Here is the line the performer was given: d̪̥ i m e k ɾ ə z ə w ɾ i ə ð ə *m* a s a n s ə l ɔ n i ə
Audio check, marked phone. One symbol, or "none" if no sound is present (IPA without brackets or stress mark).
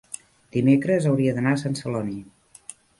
n